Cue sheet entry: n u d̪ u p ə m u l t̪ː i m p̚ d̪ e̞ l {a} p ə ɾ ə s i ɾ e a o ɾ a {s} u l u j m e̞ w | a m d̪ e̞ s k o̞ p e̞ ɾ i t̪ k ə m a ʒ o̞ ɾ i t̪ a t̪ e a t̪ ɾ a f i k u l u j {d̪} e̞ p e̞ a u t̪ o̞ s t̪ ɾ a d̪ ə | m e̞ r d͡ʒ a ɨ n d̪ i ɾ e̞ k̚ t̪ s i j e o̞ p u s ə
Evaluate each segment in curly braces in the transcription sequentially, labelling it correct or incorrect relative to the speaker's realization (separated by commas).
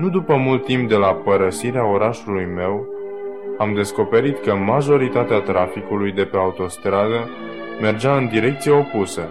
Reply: correct, incorrect, correct